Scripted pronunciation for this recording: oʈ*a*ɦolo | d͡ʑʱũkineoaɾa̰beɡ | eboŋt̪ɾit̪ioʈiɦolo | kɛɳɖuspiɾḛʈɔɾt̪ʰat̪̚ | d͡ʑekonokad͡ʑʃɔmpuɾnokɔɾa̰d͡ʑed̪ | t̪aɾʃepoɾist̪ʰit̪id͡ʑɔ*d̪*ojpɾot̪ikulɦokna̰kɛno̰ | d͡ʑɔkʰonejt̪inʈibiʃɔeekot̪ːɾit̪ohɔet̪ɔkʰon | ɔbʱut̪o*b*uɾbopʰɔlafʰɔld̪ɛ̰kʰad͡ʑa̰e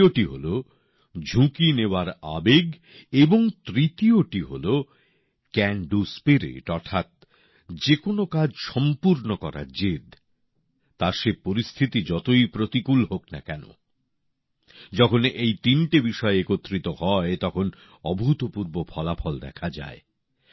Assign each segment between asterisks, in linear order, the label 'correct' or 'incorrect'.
incorrect, incorrect, incorrect

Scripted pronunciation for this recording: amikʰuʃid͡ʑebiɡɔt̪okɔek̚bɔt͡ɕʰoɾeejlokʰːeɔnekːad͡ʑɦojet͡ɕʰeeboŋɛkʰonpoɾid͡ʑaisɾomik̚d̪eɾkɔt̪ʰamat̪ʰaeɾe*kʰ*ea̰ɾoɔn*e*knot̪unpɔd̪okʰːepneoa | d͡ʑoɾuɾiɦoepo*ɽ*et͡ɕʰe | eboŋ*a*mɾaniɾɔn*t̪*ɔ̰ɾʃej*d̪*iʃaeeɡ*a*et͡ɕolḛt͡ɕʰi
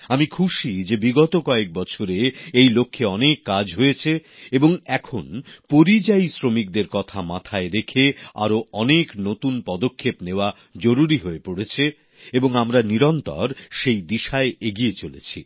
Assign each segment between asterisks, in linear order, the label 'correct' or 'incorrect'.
correct, correct, correct, correct, correct, correct, incorrect

